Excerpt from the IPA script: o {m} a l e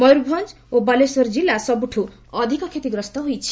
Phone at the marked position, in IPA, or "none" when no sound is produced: b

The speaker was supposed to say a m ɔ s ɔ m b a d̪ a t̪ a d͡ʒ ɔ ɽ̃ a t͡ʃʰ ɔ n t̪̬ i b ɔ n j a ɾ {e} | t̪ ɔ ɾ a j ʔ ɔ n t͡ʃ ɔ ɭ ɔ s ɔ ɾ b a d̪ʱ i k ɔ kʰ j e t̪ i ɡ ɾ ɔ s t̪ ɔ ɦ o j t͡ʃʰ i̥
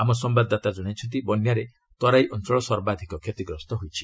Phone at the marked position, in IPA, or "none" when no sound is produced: e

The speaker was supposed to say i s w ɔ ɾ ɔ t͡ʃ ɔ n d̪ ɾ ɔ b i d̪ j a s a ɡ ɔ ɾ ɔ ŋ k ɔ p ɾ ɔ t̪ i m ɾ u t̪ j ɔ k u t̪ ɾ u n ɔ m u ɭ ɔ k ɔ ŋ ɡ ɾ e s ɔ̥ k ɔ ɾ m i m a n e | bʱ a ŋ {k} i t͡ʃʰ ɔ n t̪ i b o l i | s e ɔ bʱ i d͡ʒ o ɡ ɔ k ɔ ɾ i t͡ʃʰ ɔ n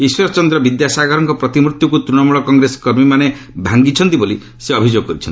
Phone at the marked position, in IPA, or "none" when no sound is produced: ɡ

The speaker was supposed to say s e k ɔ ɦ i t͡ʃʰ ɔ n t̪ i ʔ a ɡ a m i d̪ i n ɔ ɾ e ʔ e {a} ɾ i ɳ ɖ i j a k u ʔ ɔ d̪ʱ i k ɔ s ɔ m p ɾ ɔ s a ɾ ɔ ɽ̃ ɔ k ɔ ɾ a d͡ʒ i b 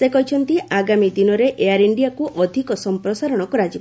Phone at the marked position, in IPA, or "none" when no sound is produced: a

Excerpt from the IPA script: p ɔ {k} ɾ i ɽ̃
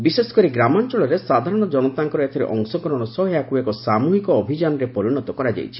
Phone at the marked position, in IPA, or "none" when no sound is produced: none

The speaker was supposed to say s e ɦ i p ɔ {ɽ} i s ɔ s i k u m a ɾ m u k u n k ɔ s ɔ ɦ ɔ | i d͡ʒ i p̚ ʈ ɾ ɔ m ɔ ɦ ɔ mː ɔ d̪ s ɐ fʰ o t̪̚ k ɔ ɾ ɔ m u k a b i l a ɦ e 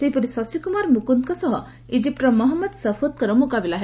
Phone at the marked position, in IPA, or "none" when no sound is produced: ɾ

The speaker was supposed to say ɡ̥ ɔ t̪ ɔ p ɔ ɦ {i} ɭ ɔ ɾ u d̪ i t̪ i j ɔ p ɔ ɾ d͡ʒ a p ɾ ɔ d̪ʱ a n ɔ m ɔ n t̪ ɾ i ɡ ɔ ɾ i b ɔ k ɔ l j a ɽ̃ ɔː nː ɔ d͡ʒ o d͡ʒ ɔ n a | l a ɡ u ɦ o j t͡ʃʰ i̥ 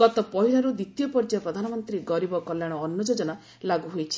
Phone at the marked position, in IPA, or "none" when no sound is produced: i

